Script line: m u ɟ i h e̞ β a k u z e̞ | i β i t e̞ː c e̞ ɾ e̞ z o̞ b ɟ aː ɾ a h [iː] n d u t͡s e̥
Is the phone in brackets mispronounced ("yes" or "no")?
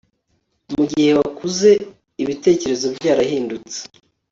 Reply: no